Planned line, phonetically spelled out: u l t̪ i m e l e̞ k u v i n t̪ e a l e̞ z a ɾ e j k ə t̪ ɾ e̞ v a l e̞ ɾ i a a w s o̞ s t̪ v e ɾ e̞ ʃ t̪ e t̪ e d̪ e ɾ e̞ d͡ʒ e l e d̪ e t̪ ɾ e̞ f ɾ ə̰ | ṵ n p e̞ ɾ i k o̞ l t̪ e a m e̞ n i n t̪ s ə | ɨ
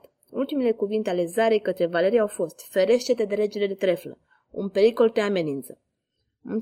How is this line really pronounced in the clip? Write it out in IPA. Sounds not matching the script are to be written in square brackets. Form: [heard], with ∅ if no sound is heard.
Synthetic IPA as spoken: u l t̪ i m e l e̞ k u v i n t̪ e a l e̞ z a ɾ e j k ə t̪ ɾ e̞ v a l e̞ ɾ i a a w [f] o̞ s t̪ [f] e ɾ e̞ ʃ t̪ e t̪ e d̪ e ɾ e̞ d͡ʒ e l e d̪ e t̪ ɾ e̞ f [l] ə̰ | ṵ n p e̞ ɾ i k o̞ l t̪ e a m e̞ n i n t̪ s ə | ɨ